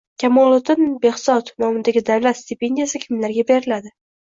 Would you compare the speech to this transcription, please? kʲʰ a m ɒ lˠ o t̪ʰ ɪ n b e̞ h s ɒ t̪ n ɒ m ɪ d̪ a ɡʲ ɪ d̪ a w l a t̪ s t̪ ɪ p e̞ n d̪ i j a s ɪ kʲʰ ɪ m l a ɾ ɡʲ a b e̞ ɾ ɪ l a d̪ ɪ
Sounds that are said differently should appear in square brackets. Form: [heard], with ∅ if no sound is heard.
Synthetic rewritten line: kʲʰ a m ɒ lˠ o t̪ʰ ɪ n b e̞ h s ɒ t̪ n ɒ m ɪ d̪ a ɡʲ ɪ d̪ a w l a t̪ s t̪ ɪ p e̞ n d̪ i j a s ɪ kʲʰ ɪ m l a ɾ ɡʲ a b e̞ ɾ ɪ l a d̪ ɪ